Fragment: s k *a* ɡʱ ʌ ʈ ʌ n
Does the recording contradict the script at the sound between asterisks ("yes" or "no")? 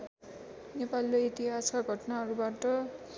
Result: no